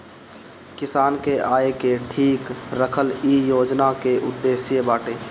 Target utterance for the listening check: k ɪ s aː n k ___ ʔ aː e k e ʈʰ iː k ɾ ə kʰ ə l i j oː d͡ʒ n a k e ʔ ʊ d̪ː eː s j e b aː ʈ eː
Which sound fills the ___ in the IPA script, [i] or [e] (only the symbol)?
e